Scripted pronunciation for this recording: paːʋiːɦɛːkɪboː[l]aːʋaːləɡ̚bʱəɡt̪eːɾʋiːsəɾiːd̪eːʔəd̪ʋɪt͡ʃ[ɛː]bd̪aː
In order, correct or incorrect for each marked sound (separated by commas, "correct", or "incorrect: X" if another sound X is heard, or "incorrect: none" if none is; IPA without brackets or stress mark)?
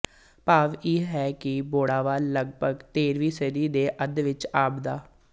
incorrect: ɽ, incorrect: aː